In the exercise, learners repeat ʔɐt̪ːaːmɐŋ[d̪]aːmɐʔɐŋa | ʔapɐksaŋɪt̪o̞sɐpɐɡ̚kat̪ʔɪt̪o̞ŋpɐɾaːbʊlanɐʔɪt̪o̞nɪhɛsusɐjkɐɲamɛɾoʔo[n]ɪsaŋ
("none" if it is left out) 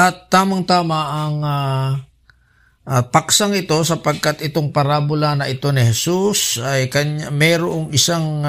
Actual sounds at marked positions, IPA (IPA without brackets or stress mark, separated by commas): t̪, ŋ